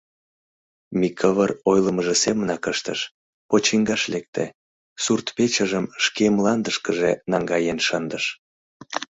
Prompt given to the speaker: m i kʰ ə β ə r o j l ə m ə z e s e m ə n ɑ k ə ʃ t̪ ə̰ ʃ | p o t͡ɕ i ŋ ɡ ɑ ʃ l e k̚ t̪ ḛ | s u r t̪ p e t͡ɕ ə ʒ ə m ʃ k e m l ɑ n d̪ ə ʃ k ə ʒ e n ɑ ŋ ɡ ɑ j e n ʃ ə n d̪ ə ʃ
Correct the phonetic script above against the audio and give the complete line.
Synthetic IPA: m i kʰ ə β ə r o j l ə m ə ʒ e s e m ə n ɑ k ə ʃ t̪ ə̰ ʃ | p o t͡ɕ i ŋ ɡ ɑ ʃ l e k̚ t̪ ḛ | s u r t̪ p e t͡ɕ ə ʒ ə m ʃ k e m l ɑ n d̪ ə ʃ k ə ʒ e n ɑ ŋ ɡ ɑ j e n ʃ ə n d̪ ə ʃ